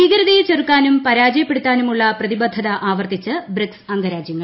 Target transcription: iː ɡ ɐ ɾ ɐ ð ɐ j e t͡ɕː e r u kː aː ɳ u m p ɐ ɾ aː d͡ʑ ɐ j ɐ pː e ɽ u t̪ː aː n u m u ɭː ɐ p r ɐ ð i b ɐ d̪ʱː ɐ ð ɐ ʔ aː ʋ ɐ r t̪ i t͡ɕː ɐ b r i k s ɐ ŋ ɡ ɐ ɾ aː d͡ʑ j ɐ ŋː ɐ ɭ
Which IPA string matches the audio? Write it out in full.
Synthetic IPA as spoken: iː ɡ ɐ ɾ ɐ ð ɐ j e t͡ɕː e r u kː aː n u m p ɐ ɾ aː d͡ʑ ɐ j ɐ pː e ɽ u t̪ː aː n u m u ɭː ɐ p r ɐ ð i b ɐ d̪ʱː ɐ ð ɐ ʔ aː ʋ ɐ r t̪ i t͡ɕː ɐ b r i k s ɐ ŋ ɡ ɐ ɾ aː d͡ʑ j ɐ ŋː ɐ ɭ